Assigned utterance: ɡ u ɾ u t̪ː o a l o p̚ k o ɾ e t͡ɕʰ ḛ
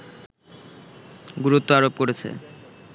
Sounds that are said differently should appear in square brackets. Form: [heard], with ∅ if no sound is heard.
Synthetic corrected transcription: ɡ u ɾ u t̪ː o a [ɾ] o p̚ k o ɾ e t͡ɕʰ ḛ